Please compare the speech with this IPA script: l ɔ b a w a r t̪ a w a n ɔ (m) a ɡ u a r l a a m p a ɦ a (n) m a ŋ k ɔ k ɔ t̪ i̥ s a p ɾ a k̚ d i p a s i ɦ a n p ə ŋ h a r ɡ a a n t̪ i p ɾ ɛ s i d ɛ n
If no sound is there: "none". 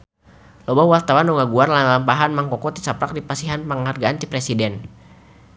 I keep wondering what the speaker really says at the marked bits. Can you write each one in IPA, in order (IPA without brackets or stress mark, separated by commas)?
ŋ, n